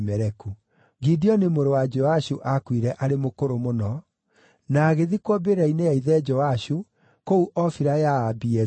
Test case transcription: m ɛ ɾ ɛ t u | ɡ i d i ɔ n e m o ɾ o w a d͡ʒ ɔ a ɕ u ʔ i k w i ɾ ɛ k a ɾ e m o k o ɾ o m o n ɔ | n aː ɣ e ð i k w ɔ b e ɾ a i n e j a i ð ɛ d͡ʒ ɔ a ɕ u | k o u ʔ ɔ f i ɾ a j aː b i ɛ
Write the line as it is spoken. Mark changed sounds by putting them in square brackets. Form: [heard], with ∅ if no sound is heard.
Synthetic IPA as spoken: m ɛ ɾ ɛ [k] u | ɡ i d i ɔ n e m o ɾ o w a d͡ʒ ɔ a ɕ u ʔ [a] k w i ɾ ɛ [ʔ] a ɾ e m o k o ɾ o m o n ɔ | n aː ɣ e ð i k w ɔ b e ɾ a i n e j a i ð ɛ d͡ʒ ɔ a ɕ u | k o u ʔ ɔ f i ɾ a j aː b i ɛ